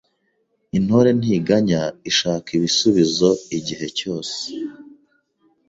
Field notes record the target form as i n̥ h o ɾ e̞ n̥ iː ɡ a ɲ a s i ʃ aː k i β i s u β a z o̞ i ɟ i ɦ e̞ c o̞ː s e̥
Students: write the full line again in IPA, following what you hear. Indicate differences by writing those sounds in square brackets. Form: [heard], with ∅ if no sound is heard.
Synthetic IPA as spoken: i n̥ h o ɾ e̞ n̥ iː ɡ a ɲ a [∅] i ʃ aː k i β i s u β [i] z o̞ i ɟ i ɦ e̞ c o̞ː s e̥